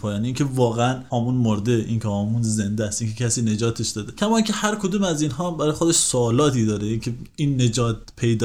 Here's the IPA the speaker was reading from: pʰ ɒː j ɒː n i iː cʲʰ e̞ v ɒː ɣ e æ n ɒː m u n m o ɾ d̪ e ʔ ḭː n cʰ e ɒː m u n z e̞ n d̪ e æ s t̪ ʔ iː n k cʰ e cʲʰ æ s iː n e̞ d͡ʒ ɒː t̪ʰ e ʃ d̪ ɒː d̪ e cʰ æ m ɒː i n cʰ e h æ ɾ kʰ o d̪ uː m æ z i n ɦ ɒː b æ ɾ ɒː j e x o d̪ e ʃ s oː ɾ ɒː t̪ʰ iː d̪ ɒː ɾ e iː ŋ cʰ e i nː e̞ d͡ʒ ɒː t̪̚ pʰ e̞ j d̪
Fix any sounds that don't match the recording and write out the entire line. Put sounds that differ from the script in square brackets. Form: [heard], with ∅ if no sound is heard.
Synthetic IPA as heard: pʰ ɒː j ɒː n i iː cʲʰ e̞ v ɒː ɣ e æ n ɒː m u n m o ɾ d̪ e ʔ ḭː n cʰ e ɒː m u n z e̞ n d̪ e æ s t̪ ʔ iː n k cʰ e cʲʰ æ s iː n e̞ d͡ʒ ɒː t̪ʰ e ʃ d̪ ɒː d̪ e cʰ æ m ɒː i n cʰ e h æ ɾ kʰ o d̪ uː m æ z i n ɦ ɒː b æ ɾ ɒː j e x o d̪ e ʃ s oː [l] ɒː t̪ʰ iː d̪ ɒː ɾ e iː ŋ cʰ e i nː e̞ d͡ʒ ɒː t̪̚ pʰ e̞ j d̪